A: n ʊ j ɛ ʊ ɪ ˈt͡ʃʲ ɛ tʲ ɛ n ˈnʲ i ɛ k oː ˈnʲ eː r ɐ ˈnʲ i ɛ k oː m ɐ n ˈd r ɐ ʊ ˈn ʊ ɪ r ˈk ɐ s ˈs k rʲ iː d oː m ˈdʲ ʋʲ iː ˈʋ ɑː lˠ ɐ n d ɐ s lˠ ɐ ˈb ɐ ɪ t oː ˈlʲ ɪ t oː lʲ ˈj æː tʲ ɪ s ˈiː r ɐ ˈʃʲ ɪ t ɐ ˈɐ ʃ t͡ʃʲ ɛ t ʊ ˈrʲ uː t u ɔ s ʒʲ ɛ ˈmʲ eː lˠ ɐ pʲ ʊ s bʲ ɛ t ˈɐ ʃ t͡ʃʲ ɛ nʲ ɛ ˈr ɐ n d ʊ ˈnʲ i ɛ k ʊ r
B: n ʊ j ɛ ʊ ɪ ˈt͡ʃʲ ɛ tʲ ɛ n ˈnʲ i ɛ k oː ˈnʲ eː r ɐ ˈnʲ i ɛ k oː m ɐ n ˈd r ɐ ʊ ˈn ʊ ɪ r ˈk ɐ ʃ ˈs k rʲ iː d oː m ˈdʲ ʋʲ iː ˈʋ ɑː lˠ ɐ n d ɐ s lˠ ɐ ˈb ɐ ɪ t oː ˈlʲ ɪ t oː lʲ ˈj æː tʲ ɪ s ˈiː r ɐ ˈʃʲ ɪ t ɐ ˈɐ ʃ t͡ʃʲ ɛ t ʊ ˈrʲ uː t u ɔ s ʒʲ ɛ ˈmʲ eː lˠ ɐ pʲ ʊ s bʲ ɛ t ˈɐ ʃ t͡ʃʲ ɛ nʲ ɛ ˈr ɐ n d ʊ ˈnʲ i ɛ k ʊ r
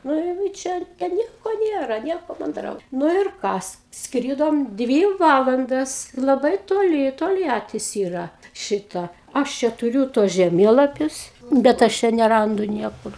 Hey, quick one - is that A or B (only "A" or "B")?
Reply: A